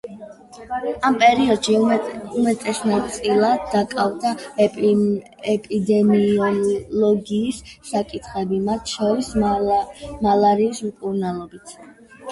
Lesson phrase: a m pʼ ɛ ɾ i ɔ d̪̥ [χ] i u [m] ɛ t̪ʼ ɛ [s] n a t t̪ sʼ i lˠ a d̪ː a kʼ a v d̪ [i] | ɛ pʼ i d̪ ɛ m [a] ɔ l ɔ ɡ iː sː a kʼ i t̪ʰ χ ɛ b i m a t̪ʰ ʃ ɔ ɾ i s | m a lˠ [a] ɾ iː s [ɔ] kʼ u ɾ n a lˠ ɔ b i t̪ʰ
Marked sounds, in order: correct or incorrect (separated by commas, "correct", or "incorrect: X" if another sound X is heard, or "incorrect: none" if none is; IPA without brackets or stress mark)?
incorrect: ʃ, correct, correct, incorrect: a, incorrect: i, correct, incorrect: u